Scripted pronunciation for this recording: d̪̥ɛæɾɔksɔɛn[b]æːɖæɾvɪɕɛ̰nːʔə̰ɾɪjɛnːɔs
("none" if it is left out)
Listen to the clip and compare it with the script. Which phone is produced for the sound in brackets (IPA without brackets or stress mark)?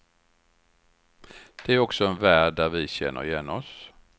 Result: v